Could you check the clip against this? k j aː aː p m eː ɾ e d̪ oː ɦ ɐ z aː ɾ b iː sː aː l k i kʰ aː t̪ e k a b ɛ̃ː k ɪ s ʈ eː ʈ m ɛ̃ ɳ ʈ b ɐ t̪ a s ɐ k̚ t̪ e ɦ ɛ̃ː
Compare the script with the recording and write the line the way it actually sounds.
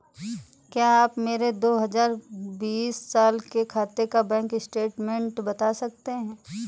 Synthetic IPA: k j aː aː p m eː ɾ e d̪ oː ɦ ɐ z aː ɾ b iː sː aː l k e kʰ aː t̪ e k a b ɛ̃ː k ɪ s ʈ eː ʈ m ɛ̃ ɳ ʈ b ɐ t̪ a s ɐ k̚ t̪ e ɦ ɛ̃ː